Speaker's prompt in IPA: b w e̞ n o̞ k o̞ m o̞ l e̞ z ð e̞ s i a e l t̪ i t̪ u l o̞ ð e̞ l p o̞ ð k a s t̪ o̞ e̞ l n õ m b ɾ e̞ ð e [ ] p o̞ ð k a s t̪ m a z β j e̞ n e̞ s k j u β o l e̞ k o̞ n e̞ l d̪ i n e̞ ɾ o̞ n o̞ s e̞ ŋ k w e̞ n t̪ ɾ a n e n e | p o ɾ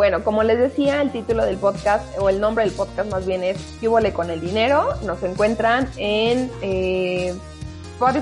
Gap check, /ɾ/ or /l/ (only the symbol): l